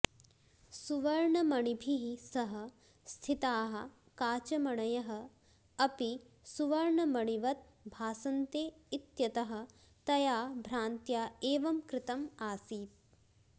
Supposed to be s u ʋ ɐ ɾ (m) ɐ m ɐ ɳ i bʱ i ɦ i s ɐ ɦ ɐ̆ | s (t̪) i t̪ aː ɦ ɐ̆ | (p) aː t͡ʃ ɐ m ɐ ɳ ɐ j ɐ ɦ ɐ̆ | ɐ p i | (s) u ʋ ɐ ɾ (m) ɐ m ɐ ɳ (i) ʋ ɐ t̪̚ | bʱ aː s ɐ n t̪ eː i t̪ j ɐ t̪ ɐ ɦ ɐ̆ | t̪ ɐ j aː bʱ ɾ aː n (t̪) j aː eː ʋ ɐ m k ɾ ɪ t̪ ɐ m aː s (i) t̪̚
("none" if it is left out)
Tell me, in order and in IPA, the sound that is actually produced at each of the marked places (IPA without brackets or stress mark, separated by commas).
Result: ɳ, t̪ʰ, k, s, ɳ, i, t̪, iː